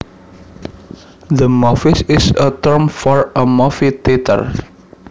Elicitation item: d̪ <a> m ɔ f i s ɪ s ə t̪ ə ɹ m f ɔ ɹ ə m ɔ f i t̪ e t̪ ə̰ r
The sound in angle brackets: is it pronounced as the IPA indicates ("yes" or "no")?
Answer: no